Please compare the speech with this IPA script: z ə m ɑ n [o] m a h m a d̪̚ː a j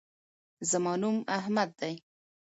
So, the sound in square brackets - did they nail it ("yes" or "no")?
no